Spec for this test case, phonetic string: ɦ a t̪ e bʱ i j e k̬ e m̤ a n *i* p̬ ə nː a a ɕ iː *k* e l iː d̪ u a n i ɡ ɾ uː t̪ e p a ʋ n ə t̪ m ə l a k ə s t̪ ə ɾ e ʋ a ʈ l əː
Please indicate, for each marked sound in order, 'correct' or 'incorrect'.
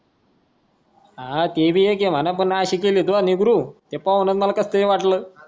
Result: incorrect, correct

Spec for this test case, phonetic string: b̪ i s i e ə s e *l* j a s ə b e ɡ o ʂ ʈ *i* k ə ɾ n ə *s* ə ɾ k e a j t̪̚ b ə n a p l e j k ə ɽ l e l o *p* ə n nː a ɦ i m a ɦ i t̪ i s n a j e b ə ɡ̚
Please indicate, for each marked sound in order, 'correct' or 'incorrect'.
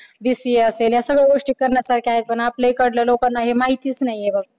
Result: correct, correct, correct, incorrect

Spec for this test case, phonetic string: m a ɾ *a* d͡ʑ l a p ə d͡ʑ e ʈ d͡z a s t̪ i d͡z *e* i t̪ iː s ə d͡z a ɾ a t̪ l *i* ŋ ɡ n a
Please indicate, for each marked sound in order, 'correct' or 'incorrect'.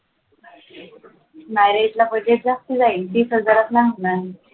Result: incorrect, incorrect, incorrect

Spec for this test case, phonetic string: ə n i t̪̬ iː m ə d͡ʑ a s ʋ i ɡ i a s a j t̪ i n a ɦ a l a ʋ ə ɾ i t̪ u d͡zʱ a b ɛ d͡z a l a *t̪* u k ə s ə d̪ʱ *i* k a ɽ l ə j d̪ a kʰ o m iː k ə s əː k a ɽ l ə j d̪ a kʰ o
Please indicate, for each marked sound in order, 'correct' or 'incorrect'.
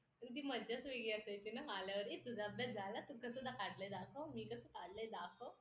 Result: correct, incorrect

